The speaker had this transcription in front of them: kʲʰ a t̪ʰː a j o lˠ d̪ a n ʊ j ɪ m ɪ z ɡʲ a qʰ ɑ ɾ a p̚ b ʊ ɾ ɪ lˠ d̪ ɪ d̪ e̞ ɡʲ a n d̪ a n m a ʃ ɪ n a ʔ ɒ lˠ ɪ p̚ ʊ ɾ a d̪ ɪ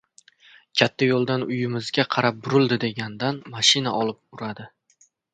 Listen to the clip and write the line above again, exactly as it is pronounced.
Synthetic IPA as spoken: kʲʰ a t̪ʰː a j o lˠ d̪ a n ʊ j ɪ m ɪ z ɡʲ a qʰ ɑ ɾ a p̚ b ʊ ɾ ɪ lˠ d̪ ɪ d̪ e̞ ɡʲ a n d̪ a n m a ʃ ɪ n a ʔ ɒ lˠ ɪ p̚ ʊ ɾ a d̪ ɪ